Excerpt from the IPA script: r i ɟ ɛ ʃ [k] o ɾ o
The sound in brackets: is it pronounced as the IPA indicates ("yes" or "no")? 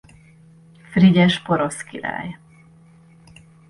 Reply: no